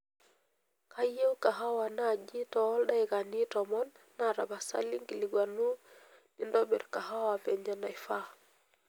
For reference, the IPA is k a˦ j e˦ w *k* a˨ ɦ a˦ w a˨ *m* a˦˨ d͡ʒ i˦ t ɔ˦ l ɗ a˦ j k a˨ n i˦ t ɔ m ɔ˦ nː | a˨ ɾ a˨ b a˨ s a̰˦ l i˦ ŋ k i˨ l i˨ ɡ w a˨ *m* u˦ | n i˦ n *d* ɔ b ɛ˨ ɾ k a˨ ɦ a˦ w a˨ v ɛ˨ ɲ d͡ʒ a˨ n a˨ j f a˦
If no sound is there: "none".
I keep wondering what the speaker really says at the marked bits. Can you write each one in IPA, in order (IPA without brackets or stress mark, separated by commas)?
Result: k, n, n, d